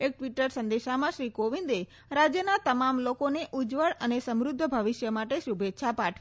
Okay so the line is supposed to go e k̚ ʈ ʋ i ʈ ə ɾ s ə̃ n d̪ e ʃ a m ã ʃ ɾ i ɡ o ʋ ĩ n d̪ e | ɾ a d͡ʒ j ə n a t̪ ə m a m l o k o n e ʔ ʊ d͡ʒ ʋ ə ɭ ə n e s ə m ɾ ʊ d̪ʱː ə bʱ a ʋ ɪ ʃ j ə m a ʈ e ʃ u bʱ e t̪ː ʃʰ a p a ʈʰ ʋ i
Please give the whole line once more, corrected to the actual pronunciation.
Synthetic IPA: e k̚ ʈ ʋ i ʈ ə ɾ s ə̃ n d̪ e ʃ a m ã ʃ ɾ i k o ʋ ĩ n d̪ e | ɾ a d͡ʒ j ə n a t̪ ə m a m l o k o n e ʔ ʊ d͡ʒ ʋ ə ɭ ə n e s ə m ɾ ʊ d̪ʱː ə bʱ ə ʋ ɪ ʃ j ə m a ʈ e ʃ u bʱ e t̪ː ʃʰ a p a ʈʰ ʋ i

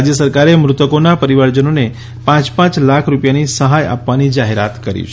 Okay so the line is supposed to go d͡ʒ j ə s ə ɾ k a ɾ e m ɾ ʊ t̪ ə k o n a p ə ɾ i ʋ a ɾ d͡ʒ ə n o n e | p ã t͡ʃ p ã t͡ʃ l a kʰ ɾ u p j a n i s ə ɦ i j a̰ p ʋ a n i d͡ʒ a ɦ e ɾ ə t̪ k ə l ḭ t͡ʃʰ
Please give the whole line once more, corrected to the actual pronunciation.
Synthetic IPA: d͡ʒ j ə s ə ɾ k a ɾ e m ɾ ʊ t̪ ə k o n a p ə ɾ i ʋ a ɾ d͡ʒ ə n o n e | p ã t͡ʃ p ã t͡ʃ l a kʰ ɾ u p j a n i s ə ɦ a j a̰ p ʋ a n i d͡ʒ a ɦ e ɾ a t̪ k ə ɾ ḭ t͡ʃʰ

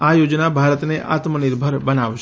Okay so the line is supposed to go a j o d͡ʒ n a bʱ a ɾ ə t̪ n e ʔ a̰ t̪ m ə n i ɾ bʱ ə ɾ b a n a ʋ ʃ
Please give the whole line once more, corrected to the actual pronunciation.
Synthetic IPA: a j o d͡ʒ n a bʱ a ɾ ə t̪ n e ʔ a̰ t̪ m ə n i ɾ bʱ ə ɾ b ə n a ʋ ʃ

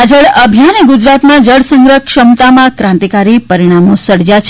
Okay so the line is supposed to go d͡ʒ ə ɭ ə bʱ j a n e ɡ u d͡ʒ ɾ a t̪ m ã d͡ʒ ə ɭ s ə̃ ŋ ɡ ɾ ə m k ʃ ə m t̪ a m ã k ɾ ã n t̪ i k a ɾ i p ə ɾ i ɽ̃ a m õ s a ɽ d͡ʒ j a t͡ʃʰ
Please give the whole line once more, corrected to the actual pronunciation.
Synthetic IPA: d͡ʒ ə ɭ ə bʱ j a n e ɡ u d͡ʒ ɾ a t̪ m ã d͡ʒ ə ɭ s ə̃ ŋ ɡ ɾ ə k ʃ ə m t̪ a m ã k ɾ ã n t̪ i k a ɾ i p ə ɾ i ɽ̃ a m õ s ə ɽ d͡ʒ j a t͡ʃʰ

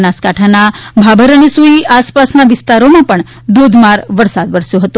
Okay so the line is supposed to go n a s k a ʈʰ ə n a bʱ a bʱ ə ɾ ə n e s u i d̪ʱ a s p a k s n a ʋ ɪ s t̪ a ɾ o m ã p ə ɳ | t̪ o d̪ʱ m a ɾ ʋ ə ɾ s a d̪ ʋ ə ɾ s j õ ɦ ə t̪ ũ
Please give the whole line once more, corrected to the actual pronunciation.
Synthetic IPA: n a s k a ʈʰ a n a bʱ a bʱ ə ɾ ə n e s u i a s p a s n a ʋ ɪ s t̪ a ɾ o m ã p ə ɳ | d̪ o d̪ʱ m a ɾ ʋ ə ɾ s a d̪ ʋ ə ɾ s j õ ɦ ə t̪ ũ

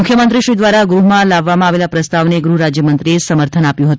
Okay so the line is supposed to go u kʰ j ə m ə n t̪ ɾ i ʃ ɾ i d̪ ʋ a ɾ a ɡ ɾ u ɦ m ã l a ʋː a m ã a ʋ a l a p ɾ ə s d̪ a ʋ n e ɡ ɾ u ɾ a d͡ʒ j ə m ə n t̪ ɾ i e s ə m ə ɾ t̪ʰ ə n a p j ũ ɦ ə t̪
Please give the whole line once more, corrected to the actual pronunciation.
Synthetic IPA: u kʰ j ə m ə n t̪ ɾ i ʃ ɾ i d̪ ʋ a ɾ a ɡ ɾ u ɦ m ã l a ʋː a m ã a ʋ e l a p ɾ ə s t̪ a ʋ n e ɡ ɾ u ɾ a d͡ʒ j ə m ə n t̪ ɾ i e s ə m ə ɾ t̪ʰ ə n a p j ũ ɦ ə t̪

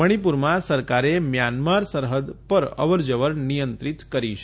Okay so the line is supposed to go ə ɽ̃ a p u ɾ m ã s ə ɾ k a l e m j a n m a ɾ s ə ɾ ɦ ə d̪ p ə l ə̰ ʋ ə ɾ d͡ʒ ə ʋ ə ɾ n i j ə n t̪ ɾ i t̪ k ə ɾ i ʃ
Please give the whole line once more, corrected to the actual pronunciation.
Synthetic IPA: ə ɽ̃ i p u ɾ m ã s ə ɾ k a ɾ e m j a n m a ɾ s ə ɾ ɦ ə d̪ p ə ɾ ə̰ ʋ ə ɾ d͡ʒ ə ʋ ə ɾ n i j ə n t̪ ɾ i t̪ k ə ɾ i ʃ

